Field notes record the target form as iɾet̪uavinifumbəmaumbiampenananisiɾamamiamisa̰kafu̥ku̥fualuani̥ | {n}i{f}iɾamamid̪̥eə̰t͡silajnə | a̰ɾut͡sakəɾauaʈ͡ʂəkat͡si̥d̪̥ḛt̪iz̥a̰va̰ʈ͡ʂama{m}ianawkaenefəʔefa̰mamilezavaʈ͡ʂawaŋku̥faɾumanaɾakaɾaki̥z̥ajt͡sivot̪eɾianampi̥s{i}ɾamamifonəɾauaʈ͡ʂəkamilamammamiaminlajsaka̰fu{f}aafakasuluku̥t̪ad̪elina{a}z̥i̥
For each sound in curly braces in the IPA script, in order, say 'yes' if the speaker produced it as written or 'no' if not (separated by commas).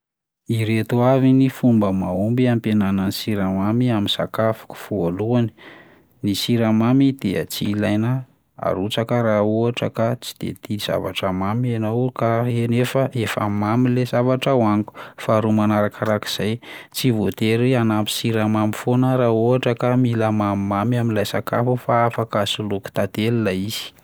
yes, no, yes, yes, yes, no